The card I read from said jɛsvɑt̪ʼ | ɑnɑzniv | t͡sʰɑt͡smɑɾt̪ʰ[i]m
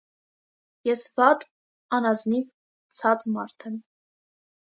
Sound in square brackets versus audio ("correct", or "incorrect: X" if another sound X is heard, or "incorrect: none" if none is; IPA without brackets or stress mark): incorrect: ɛ